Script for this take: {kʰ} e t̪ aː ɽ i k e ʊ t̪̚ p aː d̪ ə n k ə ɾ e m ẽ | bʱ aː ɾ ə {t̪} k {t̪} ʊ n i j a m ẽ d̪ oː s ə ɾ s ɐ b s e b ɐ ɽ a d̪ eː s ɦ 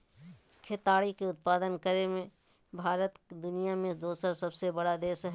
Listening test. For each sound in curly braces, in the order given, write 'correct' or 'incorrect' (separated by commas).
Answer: correct, correct, incorrect